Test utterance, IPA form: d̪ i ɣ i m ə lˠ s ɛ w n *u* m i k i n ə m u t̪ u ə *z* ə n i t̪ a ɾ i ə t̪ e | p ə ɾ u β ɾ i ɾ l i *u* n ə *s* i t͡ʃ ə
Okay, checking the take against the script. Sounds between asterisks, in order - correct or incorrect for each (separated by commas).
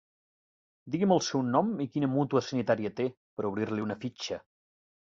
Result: incorrect, incorrect, correct, incorrect